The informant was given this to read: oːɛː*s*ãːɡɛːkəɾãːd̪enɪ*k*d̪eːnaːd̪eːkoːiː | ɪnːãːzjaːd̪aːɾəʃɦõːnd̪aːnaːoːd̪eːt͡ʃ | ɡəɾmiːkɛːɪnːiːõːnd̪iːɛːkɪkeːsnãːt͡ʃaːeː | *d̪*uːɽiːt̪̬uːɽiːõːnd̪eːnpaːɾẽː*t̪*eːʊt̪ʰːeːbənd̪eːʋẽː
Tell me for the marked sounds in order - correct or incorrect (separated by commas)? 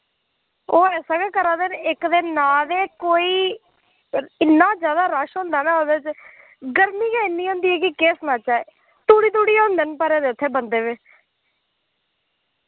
correct, correct, incorrect, incorrect